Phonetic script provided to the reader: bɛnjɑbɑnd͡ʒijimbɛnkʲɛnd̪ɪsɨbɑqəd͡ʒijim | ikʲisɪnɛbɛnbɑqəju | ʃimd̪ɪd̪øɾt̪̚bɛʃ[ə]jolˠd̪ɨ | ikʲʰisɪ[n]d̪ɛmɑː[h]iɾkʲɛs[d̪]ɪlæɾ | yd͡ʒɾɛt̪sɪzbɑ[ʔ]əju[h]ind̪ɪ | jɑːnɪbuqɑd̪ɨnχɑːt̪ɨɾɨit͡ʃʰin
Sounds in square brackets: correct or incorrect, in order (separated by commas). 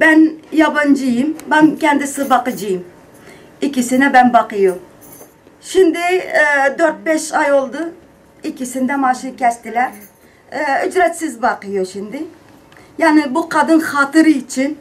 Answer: incorrect, correct, incorrect, incorrect, incorrect, incorrect